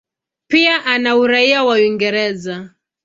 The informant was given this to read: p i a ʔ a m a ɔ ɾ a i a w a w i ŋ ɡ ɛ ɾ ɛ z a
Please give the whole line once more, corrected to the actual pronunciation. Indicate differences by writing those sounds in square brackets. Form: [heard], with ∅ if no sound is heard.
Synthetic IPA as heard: p i a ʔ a [n] a [u] ɾ a i a w a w i ŋ ɡ ɛ ɾ ɛ z a